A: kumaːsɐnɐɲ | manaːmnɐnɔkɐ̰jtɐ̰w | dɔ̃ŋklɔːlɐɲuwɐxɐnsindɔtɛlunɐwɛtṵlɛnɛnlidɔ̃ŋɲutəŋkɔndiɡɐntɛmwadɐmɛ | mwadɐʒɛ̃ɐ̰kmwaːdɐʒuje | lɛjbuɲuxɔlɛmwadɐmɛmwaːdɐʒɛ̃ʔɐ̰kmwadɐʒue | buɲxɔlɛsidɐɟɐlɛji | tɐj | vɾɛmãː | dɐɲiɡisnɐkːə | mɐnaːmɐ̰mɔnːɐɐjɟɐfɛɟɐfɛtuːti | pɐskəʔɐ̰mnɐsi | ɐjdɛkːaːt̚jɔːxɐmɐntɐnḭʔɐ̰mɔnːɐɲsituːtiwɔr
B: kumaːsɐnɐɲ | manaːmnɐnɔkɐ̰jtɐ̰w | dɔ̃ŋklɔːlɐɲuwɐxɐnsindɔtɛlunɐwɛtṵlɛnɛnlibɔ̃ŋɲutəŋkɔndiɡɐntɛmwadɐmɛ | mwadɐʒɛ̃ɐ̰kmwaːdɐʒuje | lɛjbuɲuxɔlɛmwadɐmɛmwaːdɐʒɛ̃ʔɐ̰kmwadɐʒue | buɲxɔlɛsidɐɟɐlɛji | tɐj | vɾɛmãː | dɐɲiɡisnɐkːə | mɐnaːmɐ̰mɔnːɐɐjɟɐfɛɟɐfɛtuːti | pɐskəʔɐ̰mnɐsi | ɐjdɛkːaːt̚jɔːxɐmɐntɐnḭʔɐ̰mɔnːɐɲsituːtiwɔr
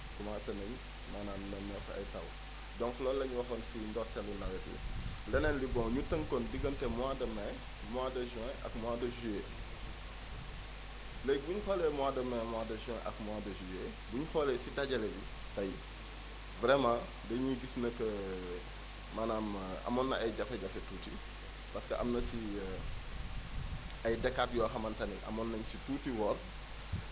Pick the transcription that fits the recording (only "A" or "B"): B